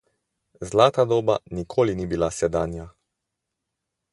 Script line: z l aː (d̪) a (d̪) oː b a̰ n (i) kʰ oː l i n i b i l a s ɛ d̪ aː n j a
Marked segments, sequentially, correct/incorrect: incorrect: t̪, correct, correct

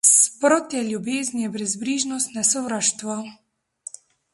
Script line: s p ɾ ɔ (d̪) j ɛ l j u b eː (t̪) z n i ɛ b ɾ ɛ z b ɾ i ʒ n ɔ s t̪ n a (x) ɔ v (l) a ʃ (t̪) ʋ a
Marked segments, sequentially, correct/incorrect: incorrect: t̪, incorrect: none, incorrect: s, incorrect: ɾ, correct

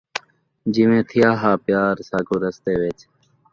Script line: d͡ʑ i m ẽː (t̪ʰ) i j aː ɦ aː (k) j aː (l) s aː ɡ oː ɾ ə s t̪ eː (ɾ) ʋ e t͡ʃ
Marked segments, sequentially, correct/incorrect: correct, incorrect: p, incorrect: ɾ, incorrect: none

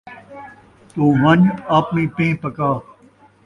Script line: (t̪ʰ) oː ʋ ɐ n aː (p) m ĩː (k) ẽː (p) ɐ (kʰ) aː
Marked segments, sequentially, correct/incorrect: incorrect: t̪, correct, incorrect: p, correct, incorrect: k

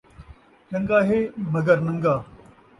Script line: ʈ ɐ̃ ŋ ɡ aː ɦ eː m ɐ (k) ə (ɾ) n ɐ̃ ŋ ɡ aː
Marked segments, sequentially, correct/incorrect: incorrect: ɡ, correct

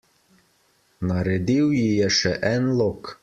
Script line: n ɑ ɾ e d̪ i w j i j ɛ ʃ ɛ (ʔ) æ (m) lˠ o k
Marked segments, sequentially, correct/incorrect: correct, incorrect: n

